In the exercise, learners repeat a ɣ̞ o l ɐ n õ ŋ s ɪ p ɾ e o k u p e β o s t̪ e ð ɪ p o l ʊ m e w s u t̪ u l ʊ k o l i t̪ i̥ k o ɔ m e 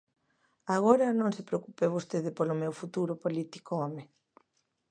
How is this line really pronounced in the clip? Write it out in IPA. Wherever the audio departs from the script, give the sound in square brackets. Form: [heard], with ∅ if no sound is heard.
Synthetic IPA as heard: a ɣ̞ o [ɾ] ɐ n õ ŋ s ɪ p ɾ e o k u p e β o s t̪ e ð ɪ p o l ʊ m e w [f] u t̪ u [ɾ] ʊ [p] o l i t̪ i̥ k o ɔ m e